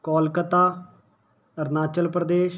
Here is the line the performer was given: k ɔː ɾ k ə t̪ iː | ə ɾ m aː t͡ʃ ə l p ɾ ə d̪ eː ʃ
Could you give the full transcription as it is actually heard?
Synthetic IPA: k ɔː l k ə t̪ aː | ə ɾ n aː t͡ʃ ə l p ɾ ə d̪ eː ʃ

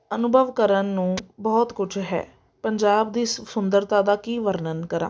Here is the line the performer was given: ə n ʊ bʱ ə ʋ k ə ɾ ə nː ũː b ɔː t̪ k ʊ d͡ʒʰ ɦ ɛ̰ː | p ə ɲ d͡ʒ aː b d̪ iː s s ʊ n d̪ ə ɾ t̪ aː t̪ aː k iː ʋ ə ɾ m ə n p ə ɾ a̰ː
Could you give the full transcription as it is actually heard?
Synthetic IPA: ə n ʊ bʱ ə ʋ k ə ɾ ə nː ũː b ɔː t̪ k ʊ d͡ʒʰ ɦ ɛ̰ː | p ə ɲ d͡ʒ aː b d̪ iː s s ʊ n d̪ ə ɾ t̪ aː d̪ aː k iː ʋ ə ɾ n ə n k ə ɾ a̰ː

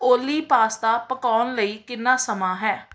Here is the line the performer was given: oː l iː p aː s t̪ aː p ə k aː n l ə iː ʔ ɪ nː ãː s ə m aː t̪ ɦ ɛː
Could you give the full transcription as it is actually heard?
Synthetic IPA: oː l iː p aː s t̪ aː p ə k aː n l ə iː k ɪ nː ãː s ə m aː ɦ ɛː

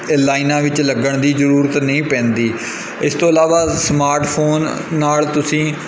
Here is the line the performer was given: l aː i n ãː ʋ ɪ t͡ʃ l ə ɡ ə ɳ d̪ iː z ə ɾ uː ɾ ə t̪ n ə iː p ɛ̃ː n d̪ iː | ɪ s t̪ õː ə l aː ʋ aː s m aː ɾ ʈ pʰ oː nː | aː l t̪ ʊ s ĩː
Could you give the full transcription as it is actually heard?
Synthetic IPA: l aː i n ãː ʋ ɪ t͡ʃ l ə ɡ ə ɳ d̪ iː z ə ɾ uː ɾ ə t̪ n ə ĩː p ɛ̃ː n d̪ iː | ɪ s t̪ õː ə l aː ʋ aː s m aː ɾ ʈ pʰ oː nː | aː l t̪ ʊ s ĩː

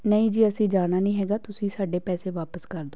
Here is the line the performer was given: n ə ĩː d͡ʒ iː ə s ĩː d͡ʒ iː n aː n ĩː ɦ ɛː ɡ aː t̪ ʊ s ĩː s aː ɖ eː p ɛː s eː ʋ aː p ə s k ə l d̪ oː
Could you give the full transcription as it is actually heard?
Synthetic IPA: n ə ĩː d͡ʒ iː ə s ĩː d͡ʒ aː n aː n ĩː ɦ ɛː ɡ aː t̪ ʊ s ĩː s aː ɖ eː p ɛː s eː ʋ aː p ə s k ə ɾ d̪ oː

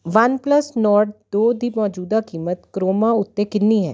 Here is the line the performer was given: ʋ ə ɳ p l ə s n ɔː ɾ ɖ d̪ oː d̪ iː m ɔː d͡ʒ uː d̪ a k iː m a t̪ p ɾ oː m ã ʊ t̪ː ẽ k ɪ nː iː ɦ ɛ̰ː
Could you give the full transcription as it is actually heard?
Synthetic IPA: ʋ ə n p l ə s n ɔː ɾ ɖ d̪ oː d̪ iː m ɔː d͡ʒ uː d̪ a k iː m ə t̪ k ɾ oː m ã ʊ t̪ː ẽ k ɪ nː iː ɦ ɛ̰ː

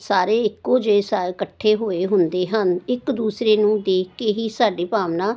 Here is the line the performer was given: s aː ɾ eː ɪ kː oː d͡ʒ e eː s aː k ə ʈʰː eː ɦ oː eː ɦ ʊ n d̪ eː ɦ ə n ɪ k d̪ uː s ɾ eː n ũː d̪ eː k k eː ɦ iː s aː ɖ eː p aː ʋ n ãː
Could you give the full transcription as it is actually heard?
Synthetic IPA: s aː ɾ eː ɪ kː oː d͡ʒ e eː s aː k ə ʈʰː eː ɦ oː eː ɦ ʊ n d̪ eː ɦ ə n ɪ k d̪ uː s ɾ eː n ũː d̪ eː k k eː ɦ iː s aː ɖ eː p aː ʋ n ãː

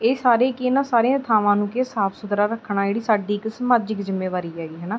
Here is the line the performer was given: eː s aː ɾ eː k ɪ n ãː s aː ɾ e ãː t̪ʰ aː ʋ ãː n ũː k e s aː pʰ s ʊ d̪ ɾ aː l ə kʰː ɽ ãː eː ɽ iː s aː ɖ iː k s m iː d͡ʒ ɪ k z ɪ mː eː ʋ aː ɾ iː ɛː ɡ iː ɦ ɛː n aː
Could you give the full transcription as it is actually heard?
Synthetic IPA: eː s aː ɾ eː k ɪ n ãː s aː ɾ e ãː t̪ʰ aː ʋ ãː n ũː k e s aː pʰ s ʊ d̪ ɾ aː ɾ ə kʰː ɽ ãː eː ɽ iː s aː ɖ iː k s m aː d͡ʒ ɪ k z ɪ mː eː ʋ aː ɾ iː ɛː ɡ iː ɦ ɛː n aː

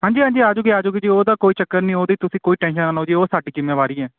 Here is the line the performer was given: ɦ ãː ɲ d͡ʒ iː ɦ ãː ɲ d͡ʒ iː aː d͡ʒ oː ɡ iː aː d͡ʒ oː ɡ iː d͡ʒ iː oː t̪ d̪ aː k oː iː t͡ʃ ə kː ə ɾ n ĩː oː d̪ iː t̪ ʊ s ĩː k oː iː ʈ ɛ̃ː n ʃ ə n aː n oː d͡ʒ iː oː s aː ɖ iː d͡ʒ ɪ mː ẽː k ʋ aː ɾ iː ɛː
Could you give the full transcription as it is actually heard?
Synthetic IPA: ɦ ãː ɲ d͡ʒ iː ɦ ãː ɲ d͡ʒ iː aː d͡ʒ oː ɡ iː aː d͡ʒ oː ɡ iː d͡ʒ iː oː d̪ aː k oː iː t͡ʃ ə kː ə ɾ n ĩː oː d̪ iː t̪ ʊ s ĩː k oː iː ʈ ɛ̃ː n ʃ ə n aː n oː d͡ʒ iː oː s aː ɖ iː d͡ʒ ɪ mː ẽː ʋ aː ɾ iː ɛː

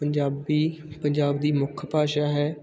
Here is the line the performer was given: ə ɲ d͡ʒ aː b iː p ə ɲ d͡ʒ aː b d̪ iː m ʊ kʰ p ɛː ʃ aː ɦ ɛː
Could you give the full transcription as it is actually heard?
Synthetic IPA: ə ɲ d͡ʒ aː b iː p ə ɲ d͡ʒ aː b d̪ iː m ʊ kʰ p aː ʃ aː ɦ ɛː

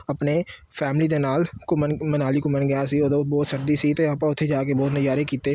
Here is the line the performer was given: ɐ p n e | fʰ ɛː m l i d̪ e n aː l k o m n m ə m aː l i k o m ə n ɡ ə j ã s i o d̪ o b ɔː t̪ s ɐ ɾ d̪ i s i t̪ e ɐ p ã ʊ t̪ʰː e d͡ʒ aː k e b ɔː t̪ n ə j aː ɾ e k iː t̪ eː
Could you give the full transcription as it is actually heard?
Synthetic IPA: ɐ p n e | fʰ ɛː m l i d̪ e n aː l k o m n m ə n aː l i k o m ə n ɡ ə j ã s i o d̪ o b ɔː t̪ s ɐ ɾ d̪ i s i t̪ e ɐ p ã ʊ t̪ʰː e d͡ʒ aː k e b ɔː t̪ n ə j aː ɾ e k iː t̪ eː

